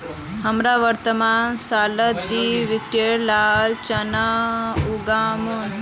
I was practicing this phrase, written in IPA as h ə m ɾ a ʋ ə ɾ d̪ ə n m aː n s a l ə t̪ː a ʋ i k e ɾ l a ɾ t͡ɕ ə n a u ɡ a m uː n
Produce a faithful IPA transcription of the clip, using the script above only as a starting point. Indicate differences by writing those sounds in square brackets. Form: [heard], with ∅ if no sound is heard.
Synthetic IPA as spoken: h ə m ɾ a ʋ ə ɾ [t̪] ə [∅] m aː n s a l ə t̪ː [i] ʋ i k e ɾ l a [l] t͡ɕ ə n a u ɡ a m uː n